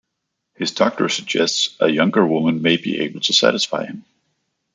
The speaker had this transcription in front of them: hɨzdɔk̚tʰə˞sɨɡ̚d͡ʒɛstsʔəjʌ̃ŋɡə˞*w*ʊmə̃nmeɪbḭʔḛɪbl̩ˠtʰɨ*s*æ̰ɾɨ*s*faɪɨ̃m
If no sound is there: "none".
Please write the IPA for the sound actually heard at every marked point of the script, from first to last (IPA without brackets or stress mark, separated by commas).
w, s, s